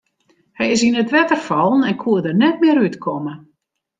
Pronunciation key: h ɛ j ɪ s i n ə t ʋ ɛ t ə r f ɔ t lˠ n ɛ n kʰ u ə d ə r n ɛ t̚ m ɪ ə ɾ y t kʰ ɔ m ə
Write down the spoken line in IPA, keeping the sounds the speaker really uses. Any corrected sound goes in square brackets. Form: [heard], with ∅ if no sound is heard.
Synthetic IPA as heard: h ɛ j ɪ s i n ə t ʋ ɛ t ə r f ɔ [∅] lˠ n ɛ n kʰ u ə d ə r n ɛ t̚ m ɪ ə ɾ y t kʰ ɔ m ə